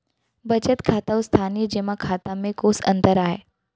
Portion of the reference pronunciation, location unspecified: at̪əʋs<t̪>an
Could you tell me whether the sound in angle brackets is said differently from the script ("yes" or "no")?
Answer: yes